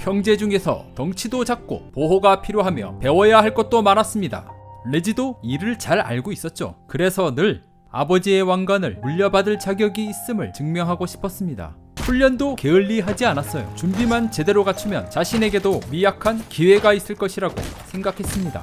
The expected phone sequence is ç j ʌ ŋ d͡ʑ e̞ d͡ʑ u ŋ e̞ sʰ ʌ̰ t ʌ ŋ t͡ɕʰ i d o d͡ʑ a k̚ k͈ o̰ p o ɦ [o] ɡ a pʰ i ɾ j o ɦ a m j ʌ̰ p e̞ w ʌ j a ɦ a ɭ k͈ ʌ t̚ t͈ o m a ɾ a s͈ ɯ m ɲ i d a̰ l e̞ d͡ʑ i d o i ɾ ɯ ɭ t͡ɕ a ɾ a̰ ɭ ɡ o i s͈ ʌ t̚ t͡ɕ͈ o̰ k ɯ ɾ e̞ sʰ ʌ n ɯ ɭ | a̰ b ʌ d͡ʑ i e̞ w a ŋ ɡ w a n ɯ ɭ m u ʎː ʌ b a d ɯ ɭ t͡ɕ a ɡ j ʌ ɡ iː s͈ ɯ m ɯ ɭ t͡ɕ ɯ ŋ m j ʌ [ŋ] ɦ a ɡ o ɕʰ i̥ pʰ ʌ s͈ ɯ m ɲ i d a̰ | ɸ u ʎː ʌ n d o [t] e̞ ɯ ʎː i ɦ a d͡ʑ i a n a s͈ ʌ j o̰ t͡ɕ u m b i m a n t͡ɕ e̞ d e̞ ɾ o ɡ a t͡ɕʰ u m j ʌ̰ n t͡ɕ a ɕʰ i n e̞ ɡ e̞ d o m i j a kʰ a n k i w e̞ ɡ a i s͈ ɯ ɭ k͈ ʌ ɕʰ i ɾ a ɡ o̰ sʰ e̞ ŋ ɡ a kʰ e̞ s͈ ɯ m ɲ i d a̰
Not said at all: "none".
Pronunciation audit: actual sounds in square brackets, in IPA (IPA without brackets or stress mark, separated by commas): o, ŋ, k